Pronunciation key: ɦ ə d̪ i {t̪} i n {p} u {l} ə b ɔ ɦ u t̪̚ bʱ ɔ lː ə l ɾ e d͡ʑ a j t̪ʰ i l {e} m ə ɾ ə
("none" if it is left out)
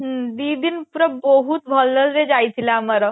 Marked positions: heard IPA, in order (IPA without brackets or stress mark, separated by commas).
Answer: d̪, p, ɾ, a